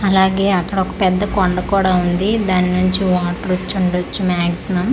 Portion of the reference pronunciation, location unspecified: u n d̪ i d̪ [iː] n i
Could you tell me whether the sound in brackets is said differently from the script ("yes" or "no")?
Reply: yes